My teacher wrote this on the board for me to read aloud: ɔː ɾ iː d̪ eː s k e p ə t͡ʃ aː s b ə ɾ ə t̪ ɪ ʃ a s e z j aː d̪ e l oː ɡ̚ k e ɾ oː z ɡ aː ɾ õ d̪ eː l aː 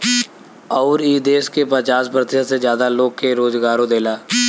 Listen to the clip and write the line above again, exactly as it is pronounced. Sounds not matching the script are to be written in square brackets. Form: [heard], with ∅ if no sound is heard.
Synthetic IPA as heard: ɔː ɾ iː d̪ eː s k e p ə t͡ʃ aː s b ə ɾ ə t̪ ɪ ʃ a s e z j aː d̪ [a] l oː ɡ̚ k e ɾ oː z ɡ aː ɾ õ d̪ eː l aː